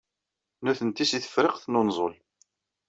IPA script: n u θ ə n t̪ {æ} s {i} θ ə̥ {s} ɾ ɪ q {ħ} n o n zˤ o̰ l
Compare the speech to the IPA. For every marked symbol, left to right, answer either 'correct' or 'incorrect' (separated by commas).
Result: incorrect, correct, incorrect, incorrect